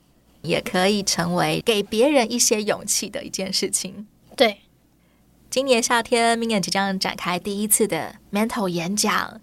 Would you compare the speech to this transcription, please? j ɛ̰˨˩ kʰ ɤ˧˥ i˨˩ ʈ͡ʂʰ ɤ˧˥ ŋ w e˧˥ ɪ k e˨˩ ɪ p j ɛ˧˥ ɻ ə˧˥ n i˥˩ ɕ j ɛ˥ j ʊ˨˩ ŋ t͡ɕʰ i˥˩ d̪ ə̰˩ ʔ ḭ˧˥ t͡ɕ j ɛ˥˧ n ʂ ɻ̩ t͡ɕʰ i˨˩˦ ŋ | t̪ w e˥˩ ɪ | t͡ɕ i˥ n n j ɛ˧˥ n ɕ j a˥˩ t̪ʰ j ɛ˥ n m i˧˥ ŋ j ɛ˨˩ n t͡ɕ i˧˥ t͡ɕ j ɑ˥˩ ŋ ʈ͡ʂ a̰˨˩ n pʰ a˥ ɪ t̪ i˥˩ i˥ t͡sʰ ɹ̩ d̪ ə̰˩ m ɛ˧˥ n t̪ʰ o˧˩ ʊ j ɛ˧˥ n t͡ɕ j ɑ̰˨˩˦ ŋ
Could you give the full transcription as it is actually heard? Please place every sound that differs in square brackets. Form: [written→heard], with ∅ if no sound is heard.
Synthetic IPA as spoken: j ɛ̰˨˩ kʰ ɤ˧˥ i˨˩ ʈ͡ʂʰ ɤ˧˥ ŋ w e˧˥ ɪ k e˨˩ ɪ p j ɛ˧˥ ɻ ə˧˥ n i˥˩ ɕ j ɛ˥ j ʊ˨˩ ŋ t͡ɕʰ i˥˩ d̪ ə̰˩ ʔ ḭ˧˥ t͡ɕ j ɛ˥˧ n ʂ ɻ̩ t͡ɕʰ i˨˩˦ ŋ | t̪ w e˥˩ ɪ | t͡ɕ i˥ n n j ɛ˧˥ n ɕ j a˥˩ t̪ʰ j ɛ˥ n m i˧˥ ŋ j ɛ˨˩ n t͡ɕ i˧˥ t͡ɕ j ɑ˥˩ ŋ ʈ͡ʂ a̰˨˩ n [pʰ→kʰ] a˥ ɪ t̪ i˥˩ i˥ t͡sʰ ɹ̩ d̪ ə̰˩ m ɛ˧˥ n t̪ʰ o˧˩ ʊ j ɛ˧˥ n t͡ɕ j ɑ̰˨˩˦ ŋ